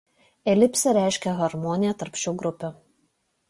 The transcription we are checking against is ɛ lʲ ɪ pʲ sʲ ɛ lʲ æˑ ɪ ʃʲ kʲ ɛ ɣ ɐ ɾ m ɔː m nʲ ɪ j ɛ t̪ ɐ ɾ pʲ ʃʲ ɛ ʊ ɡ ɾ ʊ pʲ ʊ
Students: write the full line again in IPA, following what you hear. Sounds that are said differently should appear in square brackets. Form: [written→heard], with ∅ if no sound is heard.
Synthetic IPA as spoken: ɛ lʲ ɪ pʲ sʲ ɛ [lʲ→ɾʲ] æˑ ɪ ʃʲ kʲ ɛ ɣ ɐ ɾ m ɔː [m→∅] nʲ ɪ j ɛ t̪ ɐ ɾ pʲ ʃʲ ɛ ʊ ɡ ɾ ʊ pʲ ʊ